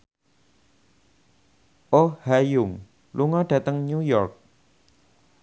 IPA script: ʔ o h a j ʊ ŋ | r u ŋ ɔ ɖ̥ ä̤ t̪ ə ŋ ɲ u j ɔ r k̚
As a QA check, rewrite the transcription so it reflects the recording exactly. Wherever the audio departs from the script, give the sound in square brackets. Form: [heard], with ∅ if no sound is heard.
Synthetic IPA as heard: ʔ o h a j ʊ ŋ | [l] u ŋ ɔ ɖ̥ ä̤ t̪ ə ŋ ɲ u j ɔ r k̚